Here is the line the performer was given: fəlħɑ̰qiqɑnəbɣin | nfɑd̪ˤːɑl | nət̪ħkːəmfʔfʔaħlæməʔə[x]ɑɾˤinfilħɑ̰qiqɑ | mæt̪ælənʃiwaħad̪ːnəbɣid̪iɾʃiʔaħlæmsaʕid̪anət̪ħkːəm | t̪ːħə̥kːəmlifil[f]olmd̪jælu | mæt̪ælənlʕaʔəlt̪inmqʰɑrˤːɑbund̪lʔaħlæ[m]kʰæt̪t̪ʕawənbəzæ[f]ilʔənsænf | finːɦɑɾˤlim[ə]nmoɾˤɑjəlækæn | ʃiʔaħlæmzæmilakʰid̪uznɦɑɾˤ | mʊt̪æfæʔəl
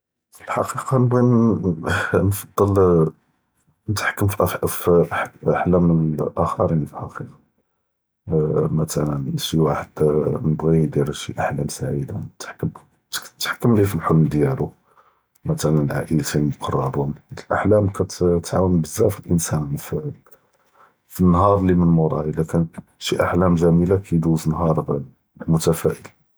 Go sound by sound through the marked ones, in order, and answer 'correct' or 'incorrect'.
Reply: correct, incorrect: ħ, correct, correct, correct

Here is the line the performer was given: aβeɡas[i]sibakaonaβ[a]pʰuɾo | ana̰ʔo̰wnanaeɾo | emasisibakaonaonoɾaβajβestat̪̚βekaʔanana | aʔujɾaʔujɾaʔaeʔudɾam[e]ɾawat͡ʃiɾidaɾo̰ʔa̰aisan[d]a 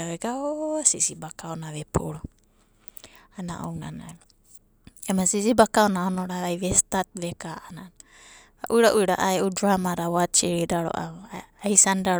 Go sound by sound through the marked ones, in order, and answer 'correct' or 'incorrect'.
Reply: correct, incorrect: e, incorrect: a, correct

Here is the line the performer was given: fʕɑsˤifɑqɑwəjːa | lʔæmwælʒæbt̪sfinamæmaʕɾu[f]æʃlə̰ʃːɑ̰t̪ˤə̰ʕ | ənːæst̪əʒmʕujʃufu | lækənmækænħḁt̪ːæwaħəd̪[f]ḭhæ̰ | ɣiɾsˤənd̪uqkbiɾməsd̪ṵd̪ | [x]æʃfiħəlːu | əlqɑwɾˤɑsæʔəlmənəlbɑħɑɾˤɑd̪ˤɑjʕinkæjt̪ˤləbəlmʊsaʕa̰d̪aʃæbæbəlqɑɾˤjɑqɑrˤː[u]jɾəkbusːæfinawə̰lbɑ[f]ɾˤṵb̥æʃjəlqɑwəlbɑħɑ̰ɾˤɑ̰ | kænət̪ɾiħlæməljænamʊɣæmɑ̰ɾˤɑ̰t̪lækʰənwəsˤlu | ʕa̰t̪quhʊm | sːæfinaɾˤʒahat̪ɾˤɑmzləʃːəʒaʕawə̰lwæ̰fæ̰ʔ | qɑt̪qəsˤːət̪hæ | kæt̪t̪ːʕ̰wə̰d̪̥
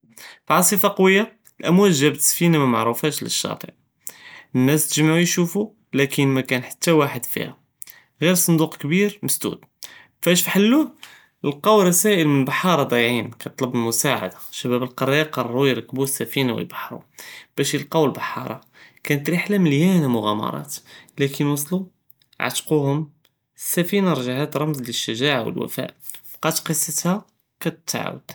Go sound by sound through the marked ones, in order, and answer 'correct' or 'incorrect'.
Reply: correct, correct, incorrect: f, correct, incorrect: ħ

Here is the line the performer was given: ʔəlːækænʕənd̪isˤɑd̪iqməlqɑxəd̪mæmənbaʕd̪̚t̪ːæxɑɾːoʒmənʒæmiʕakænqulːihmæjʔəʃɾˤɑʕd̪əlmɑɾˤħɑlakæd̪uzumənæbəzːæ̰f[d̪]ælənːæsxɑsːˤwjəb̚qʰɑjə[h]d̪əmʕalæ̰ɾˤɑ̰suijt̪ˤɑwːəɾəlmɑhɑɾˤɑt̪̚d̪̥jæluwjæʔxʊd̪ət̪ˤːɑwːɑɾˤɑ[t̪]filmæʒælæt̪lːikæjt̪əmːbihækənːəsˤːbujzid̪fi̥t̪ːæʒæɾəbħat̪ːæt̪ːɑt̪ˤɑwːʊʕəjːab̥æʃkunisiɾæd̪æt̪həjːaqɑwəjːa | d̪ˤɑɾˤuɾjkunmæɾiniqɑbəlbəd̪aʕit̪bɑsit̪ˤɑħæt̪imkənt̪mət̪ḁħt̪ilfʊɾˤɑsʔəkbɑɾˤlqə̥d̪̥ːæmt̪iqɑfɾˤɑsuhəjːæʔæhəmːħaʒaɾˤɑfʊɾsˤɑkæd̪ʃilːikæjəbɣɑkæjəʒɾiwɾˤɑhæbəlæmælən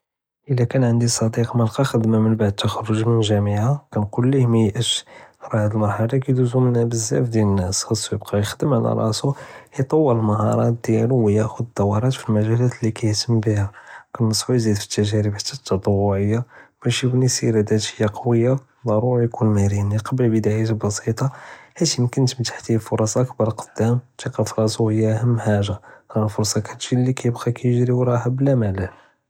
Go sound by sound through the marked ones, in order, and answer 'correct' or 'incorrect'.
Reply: correct, incorrect: x, correct

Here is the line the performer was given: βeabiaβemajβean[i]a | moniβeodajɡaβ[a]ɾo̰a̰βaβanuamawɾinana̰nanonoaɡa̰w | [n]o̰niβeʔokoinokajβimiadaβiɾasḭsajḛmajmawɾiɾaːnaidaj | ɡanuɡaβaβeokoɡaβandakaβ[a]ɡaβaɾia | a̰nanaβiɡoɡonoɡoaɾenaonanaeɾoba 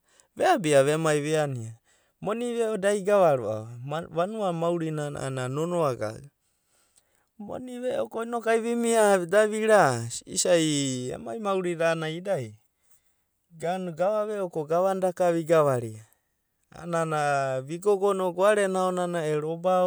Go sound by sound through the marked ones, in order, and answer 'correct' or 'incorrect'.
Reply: correct, correct, incorrect: m, incorrect: i

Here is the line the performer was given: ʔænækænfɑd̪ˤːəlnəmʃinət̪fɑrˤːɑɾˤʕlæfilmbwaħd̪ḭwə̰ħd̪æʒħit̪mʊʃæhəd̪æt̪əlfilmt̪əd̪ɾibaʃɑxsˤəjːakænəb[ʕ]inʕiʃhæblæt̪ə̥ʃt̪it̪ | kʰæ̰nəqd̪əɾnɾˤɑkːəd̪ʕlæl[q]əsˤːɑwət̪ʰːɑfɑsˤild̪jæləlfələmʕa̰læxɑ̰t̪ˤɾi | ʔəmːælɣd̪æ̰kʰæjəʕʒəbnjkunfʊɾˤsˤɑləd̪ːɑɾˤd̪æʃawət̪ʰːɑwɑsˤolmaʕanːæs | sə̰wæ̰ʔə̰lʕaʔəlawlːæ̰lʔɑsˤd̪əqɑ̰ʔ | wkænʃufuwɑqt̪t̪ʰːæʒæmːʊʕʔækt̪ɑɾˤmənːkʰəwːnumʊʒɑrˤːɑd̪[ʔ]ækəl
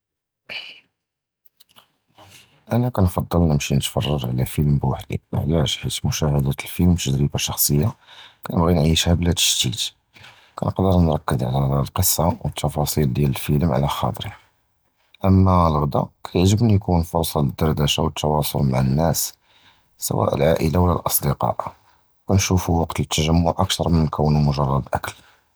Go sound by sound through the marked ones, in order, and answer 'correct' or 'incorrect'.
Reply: incorrect: ɣ, correct, correct

